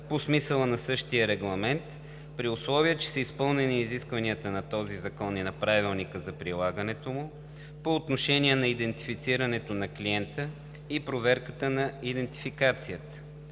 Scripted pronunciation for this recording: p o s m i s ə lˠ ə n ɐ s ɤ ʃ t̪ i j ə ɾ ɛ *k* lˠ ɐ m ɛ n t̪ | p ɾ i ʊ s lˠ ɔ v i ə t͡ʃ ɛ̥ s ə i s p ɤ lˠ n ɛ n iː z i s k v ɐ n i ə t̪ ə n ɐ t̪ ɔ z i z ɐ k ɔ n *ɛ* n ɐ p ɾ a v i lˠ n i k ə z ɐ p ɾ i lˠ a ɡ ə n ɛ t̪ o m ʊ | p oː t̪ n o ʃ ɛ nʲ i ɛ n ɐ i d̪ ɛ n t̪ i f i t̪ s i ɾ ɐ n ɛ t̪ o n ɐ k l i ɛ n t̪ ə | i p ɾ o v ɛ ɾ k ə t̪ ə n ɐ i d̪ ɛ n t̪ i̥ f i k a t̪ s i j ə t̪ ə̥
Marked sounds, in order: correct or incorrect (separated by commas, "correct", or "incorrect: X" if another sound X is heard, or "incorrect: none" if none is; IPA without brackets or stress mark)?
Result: incorrect: ɡ, incorrect: i